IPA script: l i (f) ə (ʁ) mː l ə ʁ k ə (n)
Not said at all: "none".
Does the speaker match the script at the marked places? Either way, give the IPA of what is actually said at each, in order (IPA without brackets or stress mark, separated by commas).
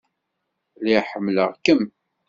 ħ, none, m